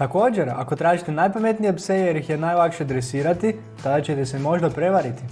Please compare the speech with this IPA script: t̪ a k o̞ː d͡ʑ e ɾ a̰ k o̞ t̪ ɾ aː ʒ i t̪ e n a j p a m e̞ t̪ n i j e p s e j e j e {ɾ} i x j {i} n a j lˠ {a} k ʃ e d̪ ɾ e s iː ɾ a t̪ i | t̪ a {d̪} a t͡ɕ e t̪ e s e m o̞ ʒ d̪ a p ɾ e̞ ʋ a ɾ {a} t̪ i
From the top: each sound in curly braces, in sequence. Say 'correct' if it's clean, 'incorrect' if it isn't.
correct, incorrect: e, correct, correct, incorrect: i

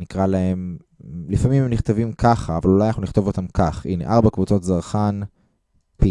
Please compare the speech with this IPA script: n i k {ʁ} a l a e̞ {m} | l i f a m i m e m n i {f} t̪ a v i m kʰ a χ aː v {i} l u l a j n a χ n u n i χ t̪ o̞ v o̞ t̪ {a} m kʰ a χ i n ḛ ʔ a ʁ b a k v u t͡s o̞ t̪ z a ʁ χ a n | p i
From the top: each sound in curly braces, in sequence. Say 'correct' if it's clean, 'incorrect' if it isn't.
correct, correct, incorrect: χ, incorrect: a, correct

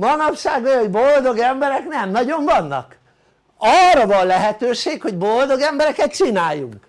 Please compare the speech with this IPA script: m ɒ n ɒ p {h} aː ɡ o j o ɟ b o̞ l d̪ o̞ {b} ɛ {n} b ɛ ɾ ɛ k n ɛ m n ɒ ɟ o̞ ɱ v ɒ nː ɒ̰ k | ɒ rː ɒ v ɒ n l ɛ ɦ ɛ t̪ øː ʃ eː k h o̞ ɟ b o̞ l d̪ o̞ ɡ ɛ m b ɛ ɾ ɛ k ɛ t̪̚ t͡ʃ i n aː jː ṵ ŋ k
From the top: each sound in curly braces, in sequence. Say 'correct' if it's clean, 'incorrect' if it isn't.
incorrect: ʃ, incorrect: ɡ, incorrect: m

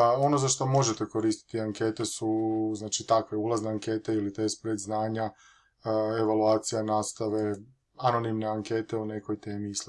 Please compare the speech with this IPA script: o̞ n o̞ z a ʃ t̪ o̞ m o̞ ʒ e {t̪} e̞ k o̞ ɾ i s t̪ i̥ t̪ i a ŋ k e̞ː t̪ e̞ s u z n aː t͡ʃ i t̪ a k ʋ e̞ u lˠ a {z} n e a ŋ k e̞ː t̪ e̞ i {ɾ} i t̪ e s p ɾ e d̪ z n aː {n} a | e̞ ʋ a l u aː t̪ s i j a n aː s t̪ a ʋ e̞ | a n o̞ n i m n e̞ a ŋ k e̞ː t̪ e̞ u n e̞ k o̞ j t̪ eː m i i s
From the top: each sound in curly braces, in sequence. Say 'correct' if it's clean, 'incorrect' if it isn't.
correct, correct, incorrect: l, incorrect: ɲ

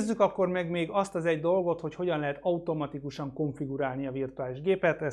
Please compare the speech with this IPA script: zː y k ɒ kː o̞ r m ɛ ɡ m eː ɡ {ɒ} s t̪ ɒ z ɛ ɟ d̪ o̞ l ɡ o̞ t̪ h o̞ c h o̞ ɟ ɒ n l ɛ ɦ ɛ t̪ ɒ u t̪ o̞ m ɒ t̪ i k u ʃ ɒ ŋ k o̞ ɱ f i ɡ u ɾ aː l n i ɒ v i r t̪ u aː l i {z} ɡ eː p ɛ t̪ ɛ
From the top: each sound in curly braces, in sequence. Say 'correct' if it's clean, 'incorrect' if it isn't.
correct, incorrect: ʒ

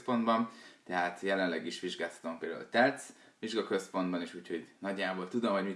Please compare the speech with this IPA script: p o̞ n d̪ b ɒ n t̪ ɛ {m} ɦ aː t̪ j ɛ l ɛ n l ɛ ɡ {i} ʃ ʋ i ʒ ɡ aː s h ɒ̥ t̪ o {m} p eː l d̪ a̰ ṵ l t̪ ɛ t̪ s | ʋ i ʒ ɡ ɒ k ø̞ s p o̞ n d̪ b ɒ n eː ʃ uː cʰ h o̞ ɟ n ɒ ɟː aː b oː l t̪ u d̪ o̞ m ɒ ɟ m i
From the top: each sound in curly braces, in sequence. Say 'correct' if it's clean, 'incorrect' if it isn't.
incorrect: none, correct, correct

